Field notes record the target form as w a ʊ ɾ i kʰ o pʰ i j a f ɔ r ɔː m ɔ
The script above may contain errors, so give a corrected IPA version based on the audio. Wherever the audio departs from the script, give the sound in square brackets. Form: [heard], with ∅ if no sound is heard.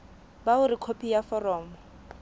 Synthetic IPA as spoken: [b] a ʊ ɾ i kʰ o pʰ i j a f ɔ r ɔː m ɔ